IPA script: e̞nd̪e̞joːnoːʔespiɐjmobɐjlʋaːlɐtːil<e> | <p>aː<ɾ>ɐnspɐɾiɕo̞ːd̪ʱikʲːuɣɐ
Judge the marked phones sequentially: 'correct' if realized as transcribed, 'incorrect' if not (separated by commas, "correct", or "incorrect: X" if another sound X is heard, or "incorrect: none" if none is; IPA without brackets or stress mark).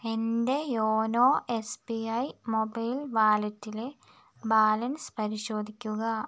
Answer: correct, incorrect: b, incorrect: l